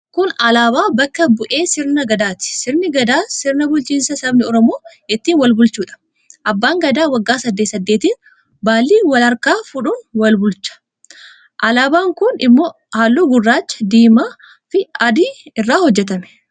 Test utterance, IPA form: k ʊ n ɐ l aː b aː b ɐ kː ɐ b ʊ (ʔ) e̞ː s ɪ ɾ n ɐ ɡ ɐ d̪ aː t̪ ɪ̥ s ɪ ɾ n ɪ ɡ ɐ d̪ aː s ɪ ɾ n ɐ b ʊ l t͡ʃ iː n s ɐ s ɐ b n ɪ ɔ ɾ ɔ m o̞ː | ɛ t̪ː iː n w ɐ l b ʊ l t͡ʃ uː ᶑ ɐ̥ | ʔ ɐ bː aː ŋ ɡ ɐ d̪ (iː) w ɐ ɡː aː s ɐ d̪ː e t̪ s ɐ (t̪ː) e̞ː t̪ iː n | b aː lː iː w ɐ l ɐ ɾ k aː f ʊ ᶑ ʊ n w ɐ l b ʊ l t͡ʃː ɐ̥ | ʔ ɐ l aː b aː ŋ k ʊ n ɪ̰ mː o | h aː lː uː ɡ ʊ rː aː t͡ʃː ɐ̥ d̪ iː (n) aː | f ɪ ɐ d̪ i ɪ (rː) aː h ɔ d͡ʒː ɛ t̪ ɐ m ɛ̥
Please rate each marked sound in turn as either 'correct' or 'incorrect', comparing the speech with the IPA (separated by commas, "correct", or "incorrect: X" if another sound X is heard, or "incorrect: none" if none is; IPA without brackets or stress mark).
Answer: correct, incorrect: aː, incorrect: d̪ː, incorrect: m, correct